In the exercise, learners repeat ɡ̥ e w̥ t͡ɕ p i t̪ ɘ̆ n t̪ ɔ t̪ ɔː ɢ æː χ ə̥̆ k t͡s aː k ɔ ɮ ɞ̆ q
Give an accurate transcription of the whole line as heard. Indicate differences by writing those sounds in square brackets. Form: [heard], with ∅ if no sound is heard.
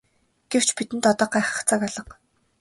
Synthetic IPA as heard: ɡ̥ e w̥ t͡ɕ p i t̪ ɘ̆ n t̪ ɔ t̪ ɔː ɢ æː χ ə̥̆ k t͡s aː k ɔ ɮ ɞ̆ q